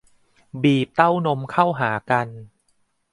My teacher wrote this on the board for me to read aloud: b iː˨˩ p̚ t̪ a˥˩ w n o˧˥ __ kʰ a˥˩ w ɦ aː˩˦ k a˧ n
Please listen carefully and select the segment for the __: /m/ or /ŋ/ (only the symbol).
m